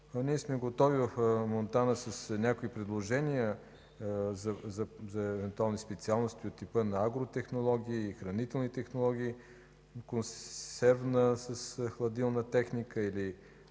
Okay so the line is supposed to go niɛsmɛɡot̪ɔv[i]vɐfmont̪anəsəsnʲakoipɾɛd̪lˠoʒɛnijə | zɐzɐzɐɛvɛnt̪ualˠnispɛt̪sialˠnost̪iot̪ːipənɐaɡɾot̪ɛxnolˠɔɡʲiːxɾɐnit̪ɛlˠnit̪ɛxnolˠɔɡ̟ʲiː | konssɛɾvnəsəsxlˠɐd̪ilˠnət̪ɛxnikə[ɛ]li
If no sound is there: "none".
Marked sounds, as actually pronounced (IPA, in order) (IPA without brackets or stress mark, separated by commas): i, i